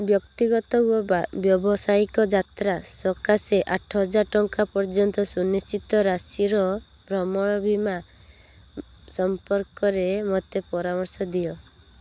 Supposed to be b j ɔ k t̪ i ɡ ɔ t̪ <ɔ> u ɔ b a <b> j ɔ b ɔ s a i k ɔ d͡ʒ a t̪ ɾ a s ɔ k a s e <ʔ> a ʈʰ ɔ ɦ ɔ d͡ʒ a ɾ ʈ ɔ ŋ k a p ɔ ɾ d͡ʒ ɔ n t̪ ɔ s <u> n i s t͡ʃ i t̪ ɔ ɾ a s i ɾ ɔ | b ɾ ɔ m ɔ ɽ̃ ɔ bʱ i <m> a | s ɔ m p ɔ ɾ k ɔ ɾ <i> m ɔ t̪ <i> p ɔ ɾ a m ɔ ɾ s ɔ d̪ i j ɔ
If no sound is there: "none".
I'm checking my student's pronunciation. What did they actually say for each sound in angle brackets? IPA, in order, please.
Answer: ɔ, b, ʔ, u, m, e, e

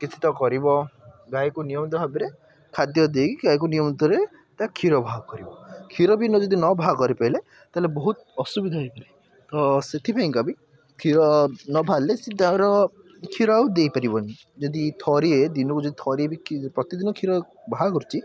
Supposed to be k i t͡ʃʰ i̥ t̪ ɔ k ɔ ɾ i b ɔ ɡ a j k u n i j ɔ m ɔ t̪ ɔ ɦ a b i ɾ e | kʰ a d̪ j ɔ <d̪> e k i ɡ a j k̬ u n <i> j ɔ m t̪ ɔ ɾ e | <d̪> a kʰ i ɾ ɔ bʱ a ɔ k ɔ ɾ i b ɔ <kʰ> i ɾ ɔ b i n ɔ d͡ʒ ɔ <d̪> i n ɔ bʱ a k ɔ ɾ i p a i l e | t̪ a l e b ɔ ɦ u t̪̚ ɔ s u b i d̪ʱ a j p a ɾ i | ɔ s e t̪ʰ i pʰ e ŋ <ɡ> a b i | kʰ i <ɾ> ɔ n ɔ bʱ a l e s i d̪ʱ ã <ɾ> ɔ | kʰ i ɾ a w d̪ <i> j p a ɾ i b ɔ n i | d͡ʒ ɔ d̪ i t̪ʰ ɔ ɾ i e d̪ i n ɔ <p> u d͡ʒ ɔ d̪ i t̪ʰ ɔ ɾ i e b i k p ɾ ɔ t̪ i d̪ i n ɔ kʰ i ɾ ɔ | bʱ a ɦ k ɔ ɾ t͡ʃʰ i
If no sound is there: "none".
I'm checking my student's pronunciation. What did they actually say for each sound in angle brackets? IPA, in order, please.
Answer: d̪, i, t̪, kʰ, d̪, k, ɾ, ɾ, e, k

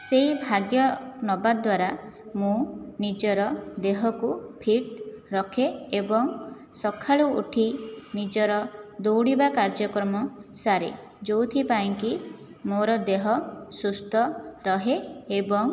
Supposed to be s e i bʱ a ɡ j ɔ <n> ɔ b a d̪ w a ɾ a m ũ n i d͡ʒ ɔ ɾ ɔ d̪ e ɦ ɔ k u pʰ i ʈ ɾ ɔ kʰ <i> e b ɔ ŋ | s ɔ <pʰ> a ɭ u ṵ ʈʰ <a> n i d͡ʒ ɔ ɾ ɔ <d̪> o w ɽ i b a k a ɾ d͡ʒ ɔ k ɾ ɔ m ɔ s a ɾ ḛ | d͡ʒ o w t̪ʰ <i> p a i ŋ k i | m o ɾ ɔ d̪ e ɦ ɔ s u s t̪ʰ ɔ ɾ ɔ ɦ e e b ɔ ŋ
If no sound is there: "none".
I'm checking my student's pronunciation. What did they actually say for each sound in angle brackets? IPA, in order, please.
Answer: n, e, kʰ, i, d̪, i

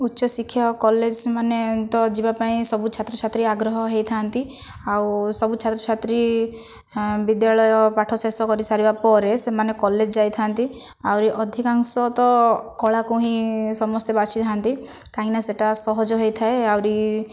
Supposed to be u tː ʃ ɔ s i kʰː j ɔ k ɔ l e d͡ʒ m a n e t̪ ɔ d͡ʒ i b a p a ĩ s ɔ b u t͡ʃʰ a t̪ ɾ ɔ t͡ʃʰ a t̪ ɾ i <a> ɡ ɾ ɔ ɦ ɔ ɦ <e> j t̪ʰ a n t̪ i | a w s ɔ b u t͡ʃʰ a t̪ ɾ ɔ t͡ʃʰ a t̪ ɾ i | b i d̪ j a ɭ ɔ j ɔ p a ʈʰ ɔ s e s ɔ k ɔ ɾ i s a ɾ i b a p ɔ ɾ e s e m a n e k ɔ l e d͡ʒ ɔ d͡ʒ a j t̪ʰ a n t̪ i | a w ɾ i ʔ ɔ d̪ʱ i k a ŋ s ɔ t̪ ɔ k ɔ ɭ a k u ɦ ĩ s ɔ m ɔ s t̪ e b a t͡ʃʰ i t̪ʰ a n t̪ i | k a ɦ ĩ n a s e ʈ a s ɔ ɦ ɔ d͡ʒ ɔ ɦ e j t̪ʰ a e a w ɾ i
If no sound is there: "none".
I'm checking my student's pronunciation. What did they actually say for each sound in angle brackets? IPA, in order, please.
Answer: a, e

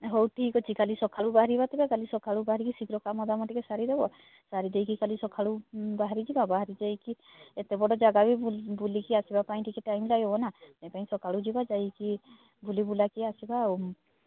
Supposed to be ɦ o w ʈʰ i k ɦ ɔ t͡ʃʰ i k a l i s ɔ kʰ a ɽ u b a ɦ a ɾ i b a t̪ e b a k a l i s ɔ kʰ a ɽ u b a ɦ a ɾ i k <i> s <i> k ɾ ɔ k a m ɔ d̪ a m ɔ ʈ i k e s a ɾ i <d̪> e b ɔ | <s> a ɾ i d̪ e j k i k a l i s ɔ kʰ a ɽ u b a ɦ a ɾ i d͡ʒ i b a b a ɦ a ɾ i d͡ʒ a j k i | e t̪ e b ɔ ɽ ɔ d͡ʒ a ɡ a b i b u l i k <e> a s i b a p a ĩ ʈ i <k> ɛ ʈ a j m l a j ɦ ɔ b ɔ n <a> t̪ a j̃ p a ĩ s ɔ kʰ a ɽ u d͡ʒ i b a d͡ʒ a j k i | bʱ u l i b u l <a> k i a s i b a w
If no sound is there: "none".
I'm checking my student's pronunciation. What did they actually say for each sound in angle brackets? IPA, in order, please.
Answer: i, i, d̪, s, i, k, a, a

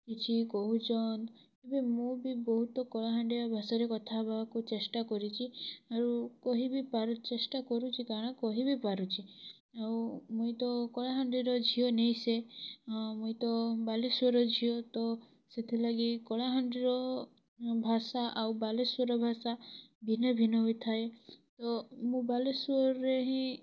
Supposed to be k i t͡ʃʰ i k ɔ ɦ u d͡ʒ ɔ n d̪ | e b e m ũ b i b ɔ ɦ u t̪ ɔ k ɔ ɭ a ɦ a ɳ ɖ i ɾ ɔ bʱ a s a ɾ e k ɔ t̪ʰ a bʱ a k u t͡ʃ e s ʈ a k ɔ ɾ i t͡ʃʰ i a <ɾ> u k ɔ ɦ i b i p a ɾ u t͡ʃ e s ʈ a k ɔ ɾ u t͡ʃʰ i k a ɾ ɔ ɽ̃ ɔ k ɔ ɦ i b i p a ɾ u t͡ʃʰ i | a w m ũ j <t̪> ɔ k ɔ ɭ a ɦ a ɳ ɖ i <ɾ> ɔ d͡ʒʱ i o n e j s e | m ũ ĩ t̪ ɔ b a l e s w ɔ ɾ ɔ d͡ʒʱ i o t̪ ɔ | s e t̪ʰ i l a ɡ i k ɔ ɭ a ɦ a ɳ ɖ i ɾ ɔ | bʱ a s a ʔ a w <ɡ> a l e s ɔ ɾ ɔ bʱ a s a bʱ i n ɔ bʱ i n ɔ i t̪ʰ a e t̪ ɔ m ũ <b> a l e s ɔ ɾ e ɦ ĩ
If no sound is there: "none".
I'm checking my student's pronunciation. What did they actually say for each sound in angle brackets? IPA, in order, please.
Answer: ɾ, t̪, ɾ, b, b

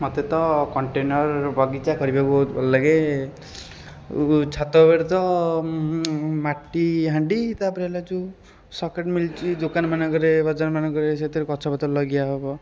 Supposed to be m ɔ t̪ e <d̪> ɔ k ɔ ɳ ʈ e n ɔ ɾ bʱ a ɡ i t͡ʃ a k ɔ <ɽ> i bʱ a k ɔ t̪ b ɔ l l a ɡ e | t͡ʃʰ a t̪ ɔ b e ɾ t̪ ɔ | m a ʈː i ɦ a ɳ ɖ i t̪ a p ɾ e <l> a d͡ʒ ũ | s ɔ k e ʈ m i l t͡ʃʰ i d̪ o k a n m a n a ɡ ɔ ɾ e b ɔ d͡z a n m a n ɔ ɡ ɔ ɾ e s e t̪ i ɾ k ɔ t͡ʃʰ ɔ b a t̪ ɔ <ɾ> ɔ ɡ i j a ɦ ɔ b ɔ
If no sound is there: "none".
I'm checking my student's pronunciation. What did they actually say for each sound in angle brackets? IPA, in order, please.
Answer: t̪, ɾ, l, l

